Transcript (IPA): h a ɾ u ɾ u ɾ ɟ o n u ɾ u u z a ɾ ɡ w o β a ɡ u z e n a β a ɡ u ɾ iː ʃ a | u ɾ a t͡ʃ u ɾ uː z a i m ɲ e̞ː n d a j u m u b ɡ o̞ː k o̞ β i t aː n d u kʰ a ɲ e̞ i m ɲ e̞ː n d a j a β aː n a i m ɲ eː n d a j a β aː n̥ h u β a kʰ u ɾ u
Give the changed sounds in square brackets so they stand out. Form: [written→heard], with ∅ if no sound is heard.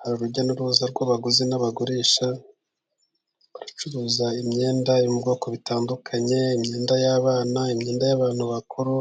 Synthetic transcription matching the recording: h a ɾ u ɾ u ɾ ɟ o n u ɾ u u z a ɾ ɡ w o β a ɡ u z e n a β a ɡ u ɾ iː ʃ a | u ɾ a t͡ʃ u ɾ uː z a i m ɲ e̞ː n d a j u m u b ɡ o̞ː k o̞ β i t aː n d u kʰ a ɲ e̞ i m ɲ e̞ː n d a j a β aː n a i m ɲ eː n d a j a β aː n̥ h u β a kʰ u ɾ u